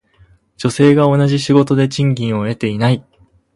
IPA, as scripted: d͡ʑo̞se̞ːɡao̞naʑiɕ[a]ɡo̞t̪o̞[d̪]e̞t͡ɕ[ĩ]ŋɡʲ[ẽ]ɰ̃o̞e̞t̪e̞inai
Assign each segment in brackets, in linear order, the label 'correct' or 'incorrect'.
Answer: incorrect: i, correct, correct, incorrect: ĩ

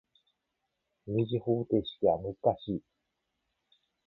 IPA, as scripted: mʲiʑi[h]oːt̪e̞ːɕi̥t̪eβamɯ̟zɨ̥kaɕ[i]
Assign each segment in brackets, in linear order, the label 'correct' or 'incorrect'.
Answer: correct, incorrect: iː

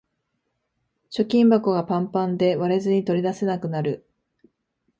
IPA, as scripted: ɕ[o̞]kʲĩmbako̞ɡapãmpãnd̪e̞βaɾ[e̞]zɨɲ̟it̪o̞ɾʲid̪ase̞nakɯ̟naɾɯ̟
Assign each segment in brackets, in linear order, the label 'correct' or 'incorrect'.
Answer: correct, correct

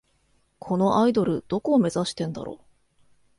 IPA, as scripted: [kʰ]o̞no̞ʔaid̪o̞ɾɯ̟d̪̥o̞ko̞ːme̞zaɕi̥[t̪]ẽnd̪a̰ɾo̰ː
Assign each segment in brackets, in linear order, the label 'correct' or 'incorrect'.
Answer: correct, correct

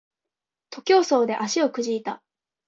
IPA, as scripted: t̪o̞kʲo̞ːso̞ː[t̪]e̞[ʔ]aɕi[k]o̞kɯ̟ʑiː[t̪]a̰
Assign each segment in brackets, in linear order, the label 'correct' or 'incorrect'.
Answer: incorrect: d̪, correct, incorrect: none, correct

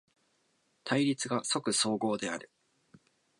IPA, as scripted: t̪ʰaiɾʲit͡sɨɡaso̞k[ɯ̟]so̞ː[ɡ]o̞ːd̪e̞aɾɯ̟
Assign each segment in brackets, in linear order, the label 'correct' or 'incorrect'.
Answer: correct, correct

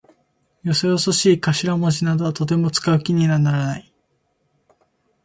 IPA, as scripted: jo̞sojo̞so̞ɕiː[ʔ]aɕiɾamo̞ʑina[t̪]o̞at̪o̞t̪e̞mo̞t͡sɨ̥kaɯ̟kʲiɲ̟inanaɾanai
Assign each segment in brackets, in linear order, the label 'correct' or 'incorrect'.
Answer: incorrect: k, incorrect: d̪

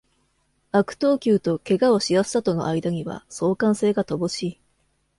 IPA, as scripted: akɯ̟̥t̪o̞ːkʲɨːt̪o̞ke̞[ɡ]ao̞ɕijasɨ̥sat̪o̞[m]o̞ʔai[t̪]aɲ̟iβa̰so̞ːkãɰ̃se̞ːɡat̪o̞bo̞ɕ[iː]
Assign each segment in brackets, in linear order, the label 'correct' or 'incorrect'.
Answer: correct, incorrect: n, incorrect: d̪, correct

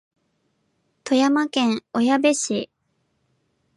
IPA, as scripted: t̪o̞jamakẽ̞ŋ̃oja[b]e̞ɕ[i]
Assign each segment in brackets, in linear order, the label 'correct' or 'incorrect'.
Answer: correct, correct

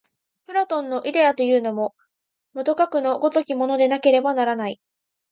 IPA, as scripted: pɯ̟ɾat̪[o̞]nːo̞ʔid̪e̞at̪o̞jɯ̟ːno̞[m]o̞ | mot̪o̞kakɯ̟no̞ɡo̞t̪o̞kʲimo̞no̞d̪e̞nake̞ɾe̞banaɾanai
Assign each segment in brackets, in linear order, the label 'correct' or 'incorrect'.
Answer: incorrect: õ̞, correct

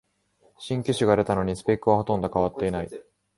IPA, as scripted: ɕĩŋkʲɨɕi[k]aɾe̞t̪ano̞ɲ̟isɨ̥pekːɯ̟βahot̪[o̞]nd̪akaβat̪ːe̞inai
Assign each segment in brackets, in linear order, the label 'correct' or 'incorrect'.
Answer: incorrect: ɡ, incorrect: õ̞

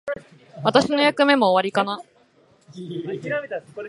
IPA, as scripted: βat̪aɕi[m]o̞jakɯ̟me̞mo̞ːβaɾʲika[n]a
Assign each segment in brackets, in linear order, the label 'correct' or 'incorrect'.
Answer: incorrect: n, correct

